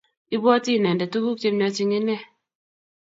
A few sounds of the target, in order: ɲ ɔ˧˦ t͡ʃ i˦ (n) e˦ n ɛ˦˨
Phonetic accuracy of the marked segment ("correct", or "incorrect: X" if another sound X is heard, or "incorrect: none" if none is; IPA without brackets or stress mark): incorrect: ŋ